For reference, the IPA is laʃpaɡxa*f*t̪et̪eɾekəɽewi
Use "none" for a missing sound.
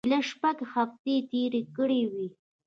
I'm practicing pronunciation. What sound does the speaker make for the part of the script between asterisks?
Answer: f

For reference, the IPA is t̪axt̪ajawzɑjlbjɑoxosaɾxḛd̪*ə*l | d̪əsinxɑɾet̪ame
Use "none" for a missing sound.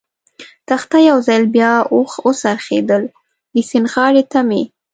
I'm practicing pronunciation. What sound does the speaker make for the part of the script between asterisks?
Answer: ə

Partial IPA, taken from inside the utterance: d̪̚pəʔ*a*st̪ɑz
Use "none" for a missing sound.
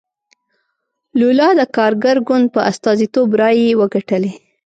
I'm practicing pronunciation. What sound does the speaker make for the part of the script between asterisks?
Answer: a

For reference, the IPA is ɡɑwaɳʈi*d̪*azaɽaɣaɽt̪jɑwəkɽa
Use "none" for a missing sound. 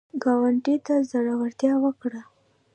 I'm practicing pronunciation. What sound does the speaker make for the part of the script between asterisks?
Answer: t̪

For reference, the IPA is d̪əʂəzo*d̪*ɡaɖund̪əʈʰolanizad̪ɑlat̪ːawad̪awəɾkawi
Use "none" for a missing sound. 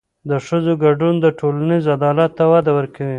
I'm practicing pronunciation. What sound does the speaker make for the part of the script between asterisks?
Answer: none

